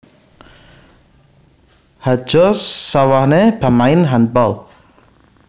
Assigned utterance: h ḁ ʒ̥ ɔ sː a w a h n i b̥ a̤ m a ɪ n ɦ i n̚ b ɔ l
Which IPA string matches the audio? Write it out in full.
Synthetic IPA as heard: h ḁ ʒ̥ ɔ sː a w a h n e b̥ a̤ m a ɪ n ɦ a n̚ b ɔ l